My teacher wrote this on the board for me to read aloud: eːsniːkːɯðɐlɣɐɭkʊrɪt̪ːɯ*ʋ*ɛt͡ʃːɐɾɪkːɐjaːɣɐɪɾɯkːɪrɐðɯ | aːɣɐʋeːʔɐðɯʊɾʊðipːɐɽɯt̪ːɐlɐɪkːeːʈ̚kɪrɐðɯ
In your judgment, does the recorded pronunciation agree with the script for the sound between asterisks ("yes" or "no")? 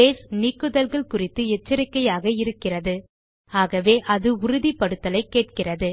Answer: no